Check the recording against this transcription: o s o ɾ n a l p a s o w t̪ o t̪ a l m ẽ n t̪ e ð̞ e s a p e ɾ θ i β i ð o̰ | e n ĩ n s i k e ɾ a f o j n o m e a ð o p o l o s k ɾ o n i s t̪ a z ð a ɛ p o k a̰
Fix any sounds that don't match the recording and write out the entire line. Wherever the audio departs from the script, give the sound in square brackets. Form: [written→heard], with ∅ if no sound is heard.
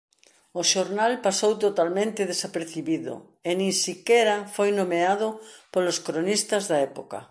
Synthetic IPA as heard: o [s→ʃ] o ɾ n a l p a s o w t̪ o t̪ a l m ẽ n t̪ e ð̞ e s a p e ɾ θ i β i ð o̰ | e n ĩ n s i k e ɾ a f o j n o m e a ð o p o l o s k ɾ o n i s t̪ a z ð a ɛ p o k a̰